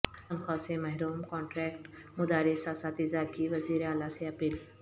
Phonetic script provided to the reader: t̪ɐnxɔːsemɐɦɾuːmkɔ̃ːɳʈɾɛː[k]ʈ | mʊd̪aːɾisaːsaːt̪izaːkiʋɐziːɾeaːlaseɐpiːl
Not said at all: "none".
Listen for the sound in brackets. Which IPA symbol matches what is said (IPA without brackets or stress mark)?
k